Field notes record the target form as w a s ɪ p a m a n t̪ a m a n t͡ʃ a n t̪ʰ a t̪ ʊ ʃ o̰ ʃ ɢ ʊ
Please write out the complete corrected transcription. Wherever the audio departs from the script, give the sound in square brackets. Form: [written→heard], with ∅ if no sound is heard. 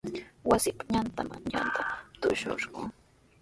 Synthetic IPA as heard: w a s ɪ p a [m→ɲ] a n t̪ a m a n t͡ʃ a n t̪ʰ a t̪ ʊ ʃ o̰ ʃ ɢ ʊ

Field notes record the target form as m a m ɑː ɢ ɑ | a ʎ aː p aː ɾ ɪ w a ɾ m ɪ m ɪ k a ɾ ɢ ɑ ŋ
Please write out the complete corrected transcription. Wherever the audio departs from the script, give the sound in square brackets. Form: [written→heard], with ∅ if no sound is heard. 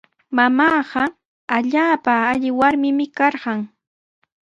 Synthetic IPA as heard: m a m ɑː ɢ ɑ | a ʎ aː p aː [ɾ→ʎ] ɪ w a ɾ m ɪ m ɪ k [a→ɑ] ɾ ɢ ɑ ŋ

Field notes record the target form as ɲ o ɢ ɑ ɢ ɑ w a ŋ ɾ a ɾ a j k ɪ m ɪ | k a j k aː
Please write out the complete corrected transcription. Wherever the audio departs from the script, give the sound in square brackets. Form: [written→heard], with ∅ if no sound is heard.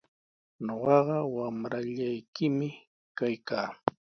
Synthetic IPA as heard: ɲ o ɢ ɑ ɢ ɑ w a [ŋ→m] ɾ a [ɾ→ʎ] a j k ɪ m ɪ | k a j k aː

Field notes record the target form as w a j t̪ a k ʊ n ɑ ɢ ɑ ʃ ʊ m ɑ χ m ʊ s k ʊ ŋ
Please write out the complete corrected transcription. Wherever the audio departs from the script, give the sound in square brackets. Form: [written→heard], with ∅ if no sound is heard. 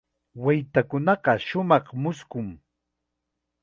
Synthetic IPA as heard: w a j t̪ a k ʊ n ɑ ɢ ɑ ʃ ʊ m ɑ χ m ʊ s k ʊ ŋ

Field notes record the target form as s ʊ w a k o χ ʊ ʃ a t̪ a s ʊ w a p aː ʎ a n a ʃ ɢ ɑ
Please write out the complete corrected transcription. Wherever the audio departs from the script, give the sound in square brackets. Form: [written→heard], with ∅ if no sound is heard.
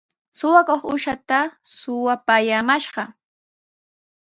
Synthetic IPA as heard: s ʊ w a k o χ ʊ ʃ a t̪ a s ʊ w a p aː [ʎ→j] a [n→m] a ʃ ɢ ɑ

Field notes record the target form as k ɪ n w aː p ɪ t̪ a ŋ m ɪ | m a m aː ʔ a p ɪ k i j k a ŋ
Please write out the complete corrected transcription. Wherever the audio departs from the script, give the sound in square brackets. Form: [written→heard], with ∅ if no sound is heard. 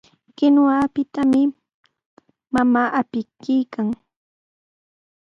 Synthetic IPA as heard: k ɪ n w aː p ɪ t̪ a [ŋ→∅] m ɪ | m a m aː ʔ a p ɪ k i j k a ŋ

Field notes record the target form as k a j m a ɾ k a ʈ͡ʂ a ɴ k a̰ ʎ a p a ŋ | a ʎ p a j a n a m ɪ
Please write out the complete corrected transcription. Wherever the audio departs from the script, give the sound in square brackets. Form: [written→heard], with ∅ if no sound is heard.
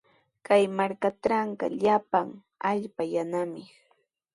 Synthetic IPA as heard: k a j m a ɾ k a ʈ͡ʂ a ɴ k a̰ ʎ a p a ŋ | a ʎ p a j a n a m ɪ

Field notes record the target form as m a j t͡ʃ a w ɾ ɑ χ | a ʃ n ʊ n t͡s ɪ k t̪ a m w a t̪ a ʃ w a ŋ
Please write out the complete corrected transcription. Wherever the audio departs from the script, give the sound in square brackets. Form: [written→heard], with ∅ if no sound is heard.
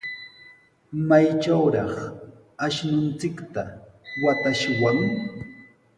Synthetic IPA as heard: m a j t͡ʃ a w ɾ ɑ χ | a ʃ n ʊ n t͡s ɪ k t̪ a [m→∅] w a t̪ a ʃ w a ŋ

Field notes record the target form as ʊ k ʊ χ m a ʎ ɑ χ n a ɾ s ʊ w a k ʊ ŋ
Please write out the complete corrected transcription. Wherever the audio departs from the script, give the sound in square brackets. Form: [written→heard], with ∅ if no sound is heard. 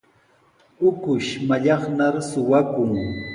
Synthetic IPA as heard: ʊ k ʊ [χ→ʃ] m a ʎ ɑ χ n a ɾ s ʊ w a k ʊ ŋ

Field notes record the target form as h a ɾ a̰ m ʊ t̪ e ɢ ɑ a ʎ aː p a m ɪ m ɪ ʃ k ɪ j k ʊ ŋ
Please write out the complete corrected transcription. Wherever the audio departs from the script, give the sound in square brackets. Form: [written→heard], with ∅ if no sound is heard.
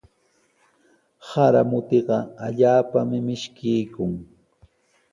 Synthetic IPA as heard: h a ɾ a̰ m ʊ t̪ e ɢ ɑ a ʎ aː p a m ɪ m ɪ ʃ k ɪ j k ʊ ŋ

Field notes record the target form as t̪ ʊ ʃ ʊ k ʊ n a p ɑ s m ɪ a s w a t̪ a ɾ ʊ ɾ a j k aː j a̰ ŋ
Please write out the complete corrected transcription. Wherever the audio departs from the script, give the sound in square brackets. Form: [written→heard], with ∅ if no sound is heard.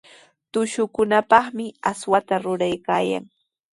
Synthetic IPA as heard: t̪ ʊ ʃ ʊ k ʊ n a p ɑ [s→χ] m ɪ a s w a t̪ a ɾ ʊ ɾ a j k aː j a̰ ŋ

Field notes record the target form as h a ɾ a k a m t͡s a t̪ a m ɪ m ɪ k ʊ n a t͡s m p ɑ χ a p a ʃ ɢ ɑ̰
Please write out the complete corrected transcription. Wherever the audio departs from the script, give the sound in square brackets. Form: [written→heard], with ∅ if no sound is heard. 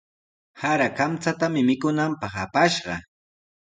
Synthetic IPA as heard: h a ɾ a k a m t͡s a t̪ a m ɪ m ɪ k ʊ n a [t͡s→∅] m p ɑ χ a p a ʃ ɢ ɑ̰

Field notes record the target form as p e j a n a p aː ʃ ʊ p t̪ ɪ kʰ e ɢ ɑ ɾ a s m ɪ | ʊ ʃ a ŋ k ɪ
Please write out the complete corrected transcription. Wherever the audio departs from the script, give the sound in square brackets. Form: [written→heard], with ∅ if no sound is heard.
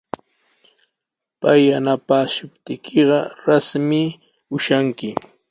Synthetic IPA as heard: p [e→a] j a n a p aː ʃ ʊ p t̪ ɪ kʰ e ɢ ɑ ɾ a s m ɪ | ʊ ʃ a ŋ k ɪ

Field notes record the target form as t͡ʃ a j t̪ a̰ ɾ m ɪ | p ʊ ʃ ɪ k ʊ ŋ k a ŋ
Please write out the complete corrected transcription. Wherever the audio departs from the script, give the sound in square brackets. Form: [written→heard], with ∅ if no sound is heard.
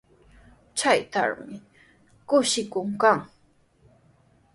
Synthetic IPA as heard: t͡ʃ a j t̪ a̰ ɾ m ɪ | [p→k] ʊ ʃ ɪ k ʊ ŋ k a ŋ

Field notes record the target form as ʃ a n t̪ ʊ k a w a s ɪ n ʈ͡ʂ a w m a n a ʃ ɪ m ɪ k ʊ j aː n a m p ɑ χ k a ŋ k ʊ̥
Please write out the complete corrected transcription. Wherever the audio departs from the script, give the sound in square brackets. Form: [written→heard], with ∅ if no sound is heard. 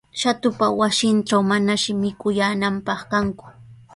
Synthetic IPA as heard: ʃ a [n→∅] t̪ ʊ [k→p] a w a s ɪ n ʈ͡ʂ a w m a n a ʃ ɪ m ɪ k ʊ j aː n a m p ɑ χ k a ŋ k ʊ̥

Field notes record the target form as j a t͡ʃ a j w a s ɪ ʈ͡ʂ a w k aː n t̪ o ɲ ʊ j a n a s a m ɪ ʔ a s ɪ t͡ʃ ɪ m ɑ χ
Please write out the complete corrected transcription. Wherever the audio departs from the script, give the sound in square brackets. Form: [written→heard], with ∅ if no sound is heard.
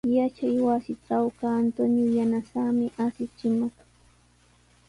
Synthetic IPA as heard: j a t͡ʃ a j w a s ɪ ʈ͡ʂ a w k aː n t̪ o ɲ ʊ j a n a s a m ɪ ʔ a s ɪ t͡ʃ ɪ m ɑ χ

